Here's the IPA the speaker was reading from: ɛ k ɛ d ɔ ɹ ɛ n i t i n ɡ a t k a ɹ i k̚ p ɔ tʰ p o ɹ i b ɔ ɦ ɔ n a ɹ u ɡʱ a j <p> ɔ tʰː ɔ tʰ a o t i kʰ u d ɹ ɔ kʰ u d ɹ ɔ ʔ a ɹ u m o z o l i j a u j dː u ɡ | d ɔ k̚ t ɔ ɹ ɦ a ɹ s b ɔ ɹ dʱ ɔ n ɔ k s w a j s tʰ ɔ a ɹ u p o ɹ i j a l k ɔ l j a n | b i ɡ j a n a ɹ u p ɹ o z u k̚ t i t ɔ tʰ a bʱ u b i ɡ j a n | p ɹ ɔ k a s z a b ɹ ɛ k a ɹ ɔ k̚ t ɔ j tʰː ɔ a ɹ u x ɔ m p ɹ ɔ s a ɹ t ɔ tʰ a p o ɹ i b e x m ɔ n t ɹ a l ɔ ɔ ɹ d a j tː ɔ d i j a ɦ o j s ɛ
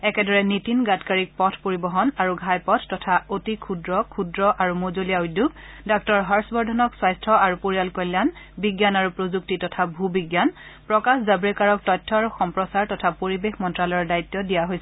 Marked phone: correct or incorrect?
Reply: correct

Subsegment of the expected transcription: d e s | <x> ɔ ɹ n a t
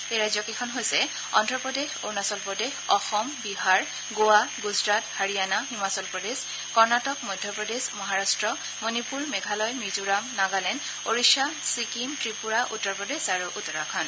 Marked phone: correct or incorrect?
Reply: incorrect: k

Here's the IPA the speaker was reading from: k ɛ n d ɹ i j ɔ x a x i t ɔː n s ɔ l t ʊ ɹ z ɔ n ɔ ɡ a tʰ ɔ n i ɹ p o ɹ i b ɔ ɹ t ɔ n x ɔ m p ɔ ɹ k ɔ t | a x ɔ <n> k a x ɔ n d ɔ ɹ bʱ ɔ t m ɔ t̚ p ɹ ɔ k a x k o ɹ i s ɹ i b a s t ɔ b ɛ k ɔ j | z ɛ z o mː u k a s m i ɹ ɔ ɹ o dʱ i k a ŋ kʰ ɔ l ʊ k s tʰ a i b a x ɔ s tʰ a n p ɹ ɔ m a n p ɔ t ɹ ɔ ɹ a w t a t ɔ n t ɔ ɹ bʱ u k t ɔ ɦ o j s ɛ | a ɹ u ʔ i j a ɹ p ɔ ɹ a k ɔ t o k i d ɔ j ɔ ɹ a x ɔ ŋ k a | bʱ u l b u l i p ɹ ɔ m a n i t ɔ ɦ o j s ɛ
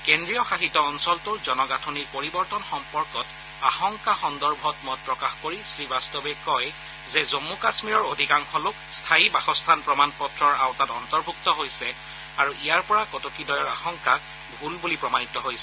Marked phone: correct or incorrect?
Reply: incorrect: ŋ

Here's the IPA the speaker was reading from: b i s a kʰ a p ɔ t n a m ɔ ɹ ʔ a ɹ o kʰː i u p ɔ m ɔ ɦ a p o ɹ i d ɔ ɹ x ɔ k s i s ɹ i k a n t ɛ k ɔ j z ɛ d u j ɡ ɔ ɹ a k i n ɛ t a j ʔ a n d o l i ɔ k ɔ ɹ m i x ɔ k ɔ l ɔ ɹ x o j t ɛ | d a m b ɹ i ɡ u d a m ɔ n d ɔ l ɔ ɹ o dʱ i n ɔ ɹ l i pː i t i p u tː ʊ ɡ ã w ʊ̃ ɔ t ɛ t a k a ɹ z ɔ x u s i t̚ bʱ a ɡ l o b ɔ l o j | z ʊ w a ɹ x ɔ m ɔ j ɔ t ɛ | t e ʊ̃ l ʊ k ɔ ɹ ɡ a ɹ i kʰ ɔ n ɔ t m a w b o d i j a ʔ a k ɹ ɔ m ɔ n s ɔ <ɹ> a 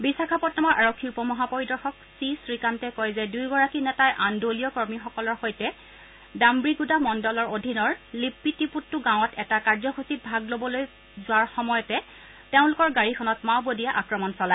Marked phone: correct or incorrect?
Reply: incorrect: l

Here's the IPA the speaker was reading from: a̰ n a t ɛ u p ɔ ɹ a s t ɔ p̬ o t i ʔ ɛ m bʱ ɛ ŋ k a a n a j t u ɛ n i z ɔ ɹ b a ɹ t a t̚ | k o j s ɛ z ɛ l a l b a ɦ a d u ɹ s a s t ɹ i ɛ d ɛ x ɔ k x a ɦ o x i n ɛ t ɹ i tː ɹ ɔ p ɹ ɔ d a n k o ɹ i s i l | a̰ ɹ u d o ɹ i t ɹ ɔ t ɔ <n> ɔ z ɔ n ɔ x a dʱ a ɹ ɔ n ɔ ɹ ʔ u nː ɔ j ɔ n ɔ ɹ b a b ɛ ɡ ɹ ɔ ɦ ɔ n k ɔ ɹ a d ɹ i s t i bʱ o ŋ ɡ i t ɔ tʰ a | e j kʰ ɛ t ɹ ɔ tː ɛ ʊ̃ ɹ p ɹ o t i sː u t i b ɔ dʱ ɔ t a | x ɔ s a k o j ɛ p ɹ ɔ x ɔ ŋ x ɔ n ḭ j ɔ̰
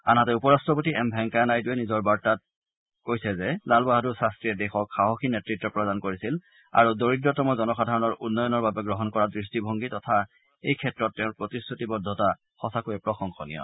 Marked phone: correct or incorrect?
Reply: incorrect: m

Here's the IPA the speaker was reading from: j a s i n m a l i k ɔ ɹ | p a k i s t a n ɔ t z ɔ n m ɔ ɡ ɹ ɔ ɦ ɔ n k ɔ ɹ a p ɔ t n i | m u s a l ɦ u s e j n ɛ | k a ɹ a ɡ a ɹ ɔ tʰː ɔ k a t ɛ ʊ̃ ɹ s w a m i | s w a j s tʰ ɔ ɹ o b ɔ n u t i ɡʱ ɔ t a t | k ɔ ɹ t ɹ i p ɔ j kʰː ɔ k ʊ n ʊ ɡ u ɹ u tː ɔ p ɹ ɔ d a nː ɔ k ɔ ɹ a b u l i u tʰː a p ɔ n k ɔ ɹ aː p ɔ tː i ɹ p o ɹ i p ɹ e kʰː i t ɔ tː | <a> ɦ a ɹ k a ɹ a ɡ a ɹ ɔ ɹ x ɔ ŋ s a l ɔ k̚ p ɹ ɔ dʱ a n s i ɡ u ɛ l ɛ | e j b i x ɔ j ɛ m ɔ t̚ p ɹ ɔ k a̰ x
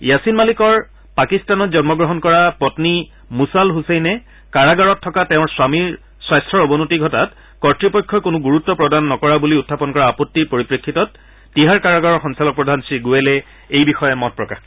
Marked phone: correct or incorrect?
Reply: incorrect: i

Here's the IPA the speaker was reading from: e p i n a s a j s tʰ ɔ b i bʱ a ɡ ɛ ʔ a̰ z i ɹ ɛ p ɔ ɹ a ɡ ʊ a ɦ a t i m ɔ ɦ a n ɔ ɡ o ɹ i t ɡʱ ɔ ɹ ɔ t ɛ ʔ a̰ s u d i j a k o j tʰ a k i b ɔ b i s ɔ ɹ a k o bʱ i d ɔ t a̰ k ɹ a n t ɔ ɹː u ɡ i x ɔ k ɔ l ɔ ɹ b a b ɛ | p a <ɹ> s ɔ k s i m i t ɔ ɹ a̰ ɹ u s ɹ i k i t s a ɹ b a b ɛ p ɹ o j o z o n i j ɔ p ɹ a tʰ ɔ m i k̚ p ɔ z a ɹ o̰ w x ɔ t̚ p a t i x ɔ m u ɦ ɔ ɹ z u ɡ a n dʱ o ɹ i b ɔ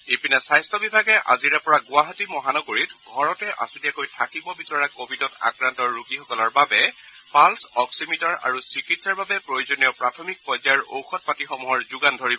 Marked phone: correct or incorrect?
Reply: incorrect: l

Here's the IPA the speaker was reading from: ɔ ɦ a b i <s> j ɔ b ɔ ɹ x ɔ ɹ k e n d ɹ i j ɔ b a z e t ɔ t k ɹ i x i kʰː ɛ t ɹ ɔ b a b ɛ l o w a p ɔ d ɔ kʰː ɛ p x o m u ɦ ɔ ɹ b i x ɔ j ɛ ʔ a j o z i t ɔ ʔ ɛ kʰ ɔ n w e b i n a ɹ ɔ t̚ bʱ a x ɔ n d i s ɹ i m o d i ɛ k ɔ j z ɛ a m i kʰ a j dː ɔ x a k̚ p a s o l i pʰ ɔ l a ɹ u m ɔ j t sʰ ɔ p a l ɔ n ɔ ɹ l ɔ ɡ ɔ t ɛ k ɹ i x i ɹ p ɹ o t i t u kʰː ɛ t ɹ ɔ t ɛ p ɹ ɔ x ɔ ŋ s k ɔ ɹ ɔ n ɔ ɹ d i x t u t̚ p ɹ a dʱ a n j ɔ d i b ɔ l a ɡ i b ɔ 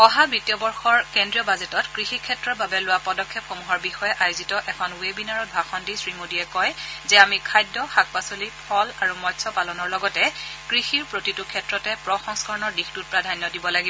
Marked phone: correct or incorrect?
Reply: incorrect: t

